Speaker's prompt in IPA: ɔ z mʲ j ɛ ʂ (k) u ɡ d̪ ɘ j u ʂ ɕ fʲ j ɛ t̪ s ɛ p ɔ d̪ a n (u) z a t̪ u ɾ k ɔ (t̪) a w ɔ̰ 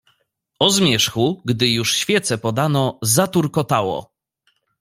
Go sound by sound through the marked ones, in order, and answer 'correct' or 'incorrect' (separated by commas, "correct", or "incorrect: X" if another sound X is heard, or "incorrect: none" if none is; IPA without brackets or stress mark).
incorrect: x, incorrect: ɔ, correct